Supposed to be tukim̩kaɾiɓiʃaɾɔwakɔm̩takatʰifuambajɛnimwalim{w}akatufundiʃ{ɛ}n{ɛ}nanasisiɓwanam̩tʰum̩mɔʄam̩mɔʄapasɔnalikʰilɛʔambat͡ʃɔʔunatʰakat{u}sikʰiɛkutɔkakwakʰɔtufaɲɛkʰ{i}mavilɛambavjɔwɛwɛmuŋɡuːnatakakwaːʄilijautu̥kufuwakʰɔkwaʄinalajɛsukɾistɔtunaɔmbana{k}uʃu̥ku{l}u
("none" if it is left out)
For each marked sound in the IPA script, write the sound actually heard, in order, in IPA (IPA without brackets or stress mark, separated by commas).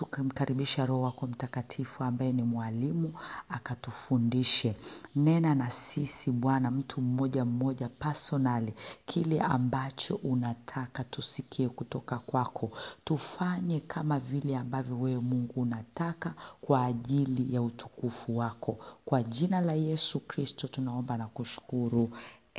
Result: u, ɛ, ɛ, u, a, k, ɾ